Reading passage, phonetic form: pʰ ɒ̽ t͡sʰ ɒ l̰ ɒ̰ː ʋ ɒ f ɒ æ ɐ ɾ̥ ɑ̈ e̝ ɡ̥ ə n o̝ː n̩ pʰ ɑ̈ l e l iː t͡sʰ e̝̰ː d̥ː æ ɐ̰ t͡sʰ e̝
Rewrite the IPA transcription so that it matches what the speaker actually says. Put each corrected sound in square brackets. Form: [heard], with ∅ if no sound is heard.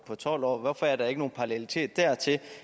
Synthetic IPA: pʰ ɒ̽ t͡sʰ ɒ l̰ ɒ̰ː ʋ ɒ f ɒ æ ɐ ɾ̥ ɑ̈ e̝ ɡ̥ ə n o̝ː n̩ pʰ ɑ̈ l e l [i] t͡sʰ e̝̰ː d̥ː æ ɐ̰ t͡sʰ e̝